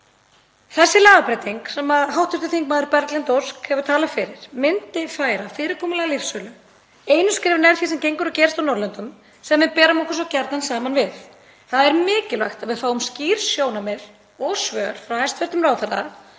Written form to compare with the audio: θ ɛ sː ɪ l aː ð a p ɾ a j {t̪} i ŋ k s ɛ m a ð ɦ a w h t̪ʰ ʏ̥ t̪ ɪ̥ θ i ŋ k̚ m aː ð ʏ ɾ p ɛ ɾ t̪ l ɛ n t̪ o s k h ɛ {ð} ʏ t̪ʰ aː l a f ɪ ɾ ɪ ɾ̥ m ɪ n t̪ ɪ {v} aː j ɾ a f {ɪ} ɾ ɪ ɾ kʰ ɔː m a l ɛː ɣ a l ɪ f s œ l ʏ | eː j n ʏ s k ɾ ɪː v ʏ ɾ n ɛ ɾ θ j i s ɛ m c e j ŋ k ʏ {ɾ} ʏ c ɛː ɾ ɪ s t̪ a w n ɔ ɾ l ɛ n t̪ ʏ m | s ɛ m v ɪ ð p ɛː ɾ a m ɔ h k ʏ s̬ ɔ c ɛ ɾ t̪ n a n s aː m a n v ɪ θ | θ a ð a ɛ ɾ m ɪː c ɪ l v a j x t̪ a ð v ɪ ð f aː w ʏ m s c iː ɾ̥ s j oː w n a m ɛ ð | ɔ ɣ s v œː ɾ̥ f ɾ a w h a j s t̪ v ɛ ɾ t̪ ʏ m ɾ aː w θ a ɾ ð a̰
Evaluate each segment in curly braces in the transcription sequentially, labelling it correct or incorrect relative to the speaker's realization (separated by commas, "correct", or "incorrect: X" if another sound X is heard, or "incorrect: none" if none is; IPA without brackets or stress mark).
correct, incorrect: v, incorrect: f, incorrect: ɪː, correct